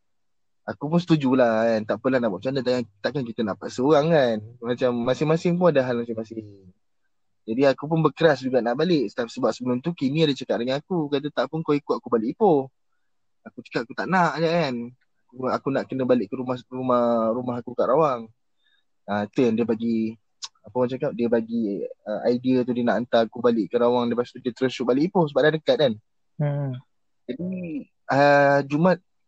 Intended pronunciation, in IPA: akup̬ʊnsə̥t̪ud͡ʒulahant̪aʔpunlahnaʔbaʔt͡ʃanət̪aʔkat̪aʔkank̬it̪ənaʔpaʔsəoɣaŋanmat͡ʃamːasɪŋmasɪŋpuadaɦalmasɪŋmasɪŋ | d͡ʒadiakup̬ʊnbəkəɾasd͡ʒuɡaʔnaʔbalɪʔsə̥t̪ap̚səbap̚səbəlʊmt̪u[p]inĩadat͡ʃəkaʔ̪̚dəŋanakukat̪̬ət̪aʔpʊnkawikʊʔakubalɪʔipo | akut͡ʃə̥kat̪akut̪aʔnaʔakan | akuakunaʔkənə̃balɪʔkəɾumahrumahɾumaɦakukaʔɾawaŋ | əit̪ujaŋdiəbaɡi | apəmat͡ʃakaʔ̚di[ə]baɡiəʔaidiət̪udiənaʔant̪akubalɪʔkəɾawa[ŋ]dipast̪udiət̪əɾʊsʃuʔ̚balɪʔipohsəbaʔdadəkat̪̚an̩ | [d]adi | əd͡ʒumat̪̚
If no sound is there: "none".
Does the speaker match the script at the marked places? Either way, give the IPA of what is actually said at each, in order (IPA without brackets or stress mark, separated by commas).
k, ə, ŋ, d͡ʒ